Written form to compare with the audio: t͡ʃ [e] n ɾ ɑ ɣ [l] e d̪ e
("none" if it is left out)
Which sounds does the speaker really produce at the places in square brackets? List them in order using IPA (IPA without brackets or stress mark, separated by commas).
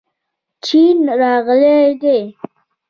i, l